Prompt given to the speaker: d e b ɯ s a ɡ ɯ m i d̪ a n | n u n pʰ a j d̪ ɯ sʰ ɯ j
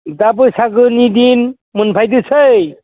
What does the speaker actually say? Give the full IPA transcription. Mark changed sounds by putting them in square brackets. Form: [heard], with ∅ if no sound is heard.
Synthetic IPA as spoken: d [a] b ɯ s a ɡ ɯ [n] i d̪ [i] n | [m] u n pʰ a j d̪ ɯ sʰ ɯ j